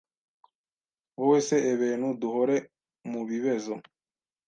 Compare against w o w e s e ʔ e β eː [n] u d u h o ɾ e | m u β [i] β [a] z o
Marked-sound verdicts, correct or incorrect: correct, correct, incorrect

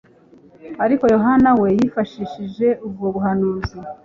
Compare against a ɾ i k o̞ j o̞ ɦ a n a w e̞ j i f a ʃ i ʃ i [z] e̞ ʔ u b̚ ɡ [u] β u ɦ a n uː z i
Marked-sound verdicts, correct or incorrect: incorrect, incorrect

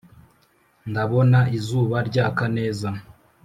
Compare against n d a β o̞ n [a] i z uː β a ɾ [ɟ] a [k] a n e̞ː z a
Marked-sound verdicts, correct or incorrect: correct, correct, correct

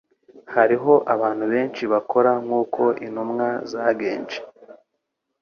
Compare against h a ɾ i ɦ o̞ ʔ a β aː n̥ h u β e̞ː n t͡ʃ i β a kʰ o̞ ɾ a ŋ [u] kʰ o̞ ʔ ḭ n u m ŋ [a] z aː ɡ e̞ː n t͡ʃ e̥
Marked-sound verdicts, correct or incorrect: incorrect, correct

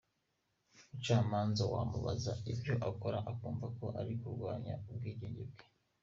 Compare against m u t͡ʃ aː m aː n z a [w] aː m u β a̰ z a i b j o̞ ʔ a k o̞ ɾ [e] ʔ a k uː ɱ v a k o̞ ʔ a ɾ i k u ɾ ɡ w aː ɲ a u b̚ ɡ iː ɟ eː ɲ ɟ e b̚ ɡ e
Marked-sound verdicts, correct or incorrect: correct, incorrect

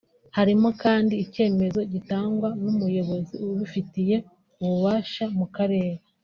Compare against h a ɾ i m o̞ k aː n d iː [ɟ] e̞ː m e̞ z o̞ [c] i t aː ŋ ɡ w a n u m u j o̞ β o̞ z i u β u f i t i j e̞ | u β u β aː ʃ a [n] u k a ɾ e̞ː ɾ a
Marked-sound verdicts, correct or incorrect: incorrect, incorrect, incorrect

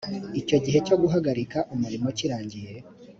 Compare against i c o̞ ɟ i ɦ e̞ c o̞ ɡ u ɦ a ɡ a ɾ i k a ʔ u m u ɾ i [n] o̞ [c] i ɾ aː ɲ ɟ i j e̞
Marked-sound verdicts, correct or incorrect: incorrect, correct

